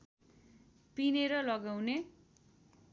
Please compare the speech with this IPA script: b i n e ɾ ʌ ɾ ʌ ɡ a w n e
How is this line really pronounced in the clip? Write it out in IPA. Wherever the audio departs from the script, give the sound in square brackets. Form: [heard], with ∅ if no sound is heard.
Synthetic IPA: [p] i n e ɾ ʌ [l] ʌ ɡ a w n e